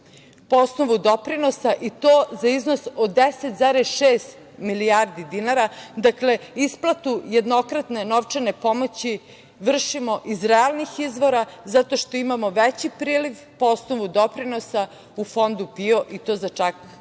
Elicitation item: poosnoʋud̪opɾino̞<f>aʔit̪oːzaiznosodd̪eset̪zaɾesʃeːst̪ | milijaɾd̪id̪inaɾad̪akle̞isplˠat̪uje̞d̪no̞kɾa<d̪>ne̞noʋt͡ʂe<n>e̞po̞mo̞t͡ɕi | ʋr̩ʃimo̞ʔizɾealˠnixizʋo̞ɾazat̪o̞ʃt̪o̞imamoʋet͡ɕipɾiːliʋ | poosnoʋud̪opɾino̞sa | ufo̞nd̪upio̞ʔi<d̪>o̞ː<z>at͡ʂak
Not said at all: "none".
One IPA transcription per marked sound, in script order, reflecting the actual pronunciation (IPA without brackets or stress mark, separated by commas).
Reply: s, t̪, n, t̪, z